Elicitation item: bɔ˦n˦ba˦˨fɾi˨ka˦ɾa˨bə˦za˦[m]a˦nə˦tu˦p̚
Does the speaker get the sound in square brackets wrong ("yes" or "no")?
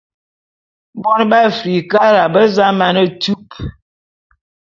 no